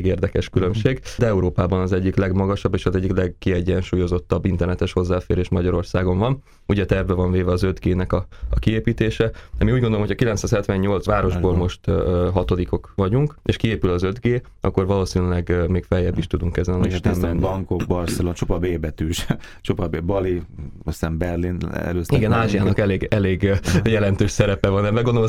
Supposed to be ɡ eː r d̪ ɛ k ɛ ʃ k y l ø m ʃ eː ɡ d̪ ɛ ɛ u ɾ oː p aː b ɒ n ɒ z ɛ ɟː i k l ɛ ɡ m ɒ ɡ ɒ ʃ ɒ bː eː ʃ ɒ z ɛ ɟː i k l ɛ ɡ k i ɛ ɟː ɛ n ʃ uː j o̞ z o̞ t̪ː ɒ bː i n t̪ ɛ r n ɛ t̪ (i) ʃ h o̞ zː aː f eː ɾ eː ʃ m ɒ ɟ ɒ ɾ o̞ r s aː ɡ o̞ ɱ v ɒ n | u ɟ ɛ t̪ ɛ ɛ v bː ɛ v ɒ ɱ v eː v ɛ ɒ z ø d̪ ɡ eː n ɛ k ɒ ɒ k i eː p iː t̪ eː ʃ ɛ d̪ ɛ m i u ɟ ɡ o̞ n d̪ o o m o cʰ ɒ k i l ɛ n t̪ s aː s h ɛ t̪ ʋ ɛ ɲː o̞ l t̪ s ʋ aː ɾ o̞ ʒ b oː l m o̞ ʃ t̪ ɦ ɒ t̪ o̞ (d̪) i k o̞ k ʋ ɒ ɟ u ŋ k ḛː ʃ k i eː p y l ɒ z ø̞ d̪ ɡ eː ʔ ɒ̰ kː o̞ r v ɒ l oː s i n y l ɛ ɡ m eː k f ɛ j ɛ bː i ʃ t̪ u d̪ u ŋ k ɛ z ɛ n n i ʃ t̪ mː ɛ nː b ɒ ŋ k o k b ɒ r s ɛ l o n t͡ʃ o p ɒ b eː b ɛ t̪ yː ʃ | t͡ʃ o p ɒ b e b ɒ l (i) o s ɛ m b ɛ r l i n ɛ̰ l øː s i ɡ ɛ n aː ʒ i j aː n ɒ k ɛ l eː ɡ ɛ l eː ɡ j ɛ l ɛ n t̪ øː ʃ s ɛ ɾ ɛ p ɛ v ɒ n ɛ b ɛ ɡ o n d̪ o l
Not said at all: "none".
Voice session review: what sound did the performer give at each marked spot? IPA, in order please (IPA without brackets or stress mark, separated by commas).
ɛ, d̪, i